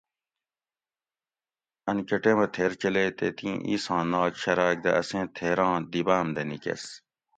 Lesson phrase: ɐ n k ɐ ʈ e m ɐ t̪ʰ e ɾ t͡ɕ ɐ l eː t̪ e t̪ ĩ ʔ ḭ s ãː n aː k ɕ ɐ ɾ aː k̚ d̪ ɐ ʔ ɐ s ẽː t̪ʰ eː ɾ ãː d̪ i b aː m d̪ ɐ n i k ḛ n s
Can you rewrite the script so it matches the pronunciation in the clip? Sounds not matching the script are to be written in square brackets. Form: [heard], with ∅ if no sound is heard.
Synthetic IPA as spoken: ɐ n k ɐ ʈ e m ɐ t̪ʰ e ɾ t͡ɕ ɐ l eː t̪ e t̪ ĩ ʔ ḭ s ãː n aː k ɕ ɐ ɾ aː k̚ d̪ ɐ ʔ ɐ s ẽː t̪ʰ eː ɾ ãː d̪ i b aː m d̪ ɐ n i k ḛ [∅] s